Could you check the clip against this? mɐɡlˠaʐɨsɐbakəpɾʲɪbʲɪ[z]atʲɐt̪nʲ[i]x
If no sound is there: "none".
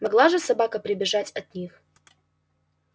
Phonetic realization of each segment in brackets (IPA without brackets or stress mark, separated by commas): ʐ, i